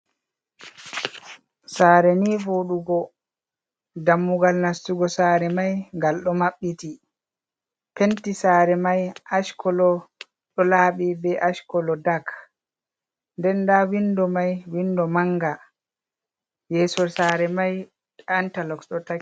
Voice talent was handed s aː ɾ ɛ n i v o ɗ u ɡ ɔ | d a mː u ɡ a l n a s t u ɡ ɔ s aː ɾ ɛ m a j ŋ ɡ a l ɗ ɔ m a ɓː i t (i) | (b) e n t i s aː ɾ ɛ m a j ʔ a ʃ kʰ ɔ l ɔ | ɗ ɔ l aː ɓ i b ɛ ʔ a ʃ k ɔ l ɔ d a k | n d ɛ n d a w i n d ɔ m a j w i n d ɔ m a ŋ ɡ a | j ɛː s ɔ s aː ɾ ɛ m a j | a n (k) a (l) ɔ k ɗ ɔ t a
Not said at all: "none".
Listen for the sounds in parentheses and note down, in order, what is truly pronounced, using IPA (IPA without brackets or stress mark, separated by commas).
i, p, t, l